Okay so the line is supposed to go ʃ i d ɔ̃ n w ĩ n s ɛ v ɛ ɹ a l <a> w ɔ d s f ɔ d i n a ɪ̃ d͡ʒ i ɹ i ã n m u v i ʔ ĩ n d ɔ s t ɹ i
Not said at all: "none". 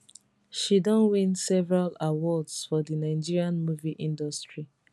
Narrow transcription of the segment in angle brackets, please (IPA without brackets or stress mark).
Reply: a